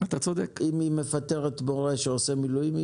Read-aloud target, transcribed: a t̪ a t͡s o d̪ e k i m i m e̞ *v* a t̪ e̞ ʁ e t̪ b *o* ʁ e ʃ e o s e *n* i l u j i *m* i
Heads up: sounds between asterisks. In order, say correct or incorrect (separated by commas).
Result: incorrect, correct, incorrect, correct